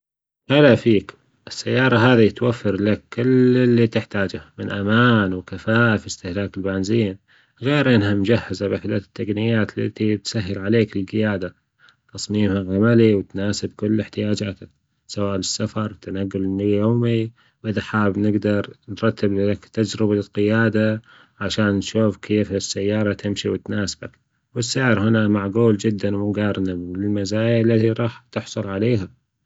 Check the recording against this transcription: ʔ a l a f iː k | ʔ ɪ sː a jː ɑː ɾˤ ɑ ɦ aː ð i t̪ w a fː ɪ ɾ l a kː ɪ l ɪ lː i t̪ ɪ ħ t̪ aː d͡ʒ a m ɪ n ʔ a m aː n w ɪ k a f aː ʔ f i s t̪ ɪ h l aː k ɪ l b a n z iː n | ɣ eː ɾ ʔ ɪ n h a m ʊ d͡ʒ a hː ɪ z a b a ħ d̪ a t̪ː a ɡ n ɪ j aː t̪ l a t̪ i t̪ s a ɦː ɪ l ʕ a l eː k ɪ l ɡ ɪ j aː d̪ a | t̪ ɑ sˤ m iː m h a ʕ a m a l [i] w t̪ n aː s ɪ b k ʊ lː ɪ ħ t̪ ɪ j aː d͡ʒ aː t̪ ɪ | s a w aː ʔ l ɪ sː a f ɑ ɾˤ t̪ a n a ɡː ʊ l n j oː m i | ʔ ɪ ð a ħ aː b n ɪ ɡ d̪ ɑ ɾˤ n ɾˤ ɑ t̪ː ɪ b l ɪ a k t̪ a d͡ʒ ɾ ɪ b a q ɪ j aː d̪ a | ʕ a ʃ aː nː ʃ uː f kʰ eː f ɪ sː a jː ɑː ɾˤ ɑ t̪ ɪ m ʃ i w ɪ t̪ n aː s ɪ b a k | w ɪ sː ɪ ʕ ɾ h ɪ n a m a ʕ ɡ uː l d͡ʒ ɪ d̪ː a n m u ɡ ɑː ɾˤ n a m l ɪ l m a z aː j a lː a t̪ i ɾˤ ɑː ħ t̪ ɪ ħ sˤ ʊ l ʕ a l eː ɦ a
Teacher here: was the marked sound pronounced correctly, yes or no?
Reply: yes